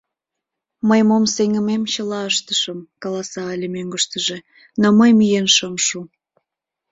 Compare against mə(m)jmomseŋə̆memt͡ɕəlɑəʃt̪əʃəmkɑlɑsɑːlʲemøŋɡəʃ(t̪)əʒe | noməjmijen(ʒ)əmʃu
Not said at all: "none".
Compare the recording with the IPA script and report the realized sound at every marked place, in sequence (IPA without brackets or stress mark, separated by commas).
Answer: none, t̪, ʃ